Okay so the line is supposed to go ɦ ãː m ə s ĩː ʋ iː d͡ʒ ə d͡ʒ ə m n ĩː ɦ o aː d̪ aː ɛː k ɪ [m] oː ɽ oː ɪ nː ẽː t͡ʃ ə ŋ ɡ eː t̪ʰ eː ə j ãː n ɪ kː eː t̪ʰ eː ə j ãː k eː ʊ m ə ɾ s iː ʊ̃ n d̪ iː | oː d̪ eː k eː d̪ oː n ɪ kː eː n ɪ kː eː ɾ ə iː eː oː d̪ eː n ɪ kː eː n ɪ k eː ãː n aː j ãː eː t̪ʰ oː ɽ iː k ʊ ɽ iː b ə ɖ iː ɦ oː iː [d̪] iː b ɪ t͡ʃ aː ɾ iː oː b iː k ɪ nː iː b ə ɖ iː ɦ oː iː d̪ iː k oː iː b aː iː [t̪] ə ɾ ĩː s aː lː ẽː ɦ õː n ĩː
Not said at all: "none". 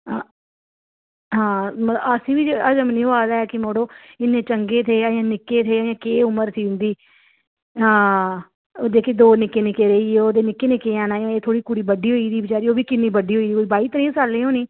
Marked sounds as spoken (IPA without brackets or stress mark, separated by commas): m, d̪, t̪